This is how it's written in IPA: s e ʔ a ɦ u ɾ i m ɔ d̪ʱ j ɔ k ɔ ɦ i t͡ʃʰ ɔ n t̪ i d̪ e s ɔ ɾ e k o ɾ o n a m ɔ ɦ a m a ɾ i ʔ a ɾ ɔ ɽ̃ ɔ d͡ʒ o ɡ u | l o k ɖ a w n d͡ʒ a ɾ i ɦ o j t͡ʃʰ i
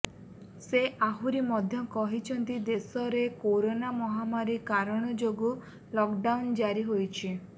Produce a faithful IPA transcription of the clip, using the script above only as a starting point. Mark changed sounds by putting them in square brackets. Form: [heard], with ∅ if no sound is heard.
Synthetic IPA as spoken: s e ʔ a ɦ u ɾ i m ɔ d̪ʱ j ɔ k ɔ ɦ i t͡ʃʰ ɔ n t̪ i d̪ e s ɔ ɾ e k o ɾ o n a m ɔ ɦ a m a ɾ i [k] a ɾ ɔ ɽ̃ ɔ d͡ʒ o ɡ u | l [ɔ] k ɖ a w n d͡ʒ a ɾ i ɦ o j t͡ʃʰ i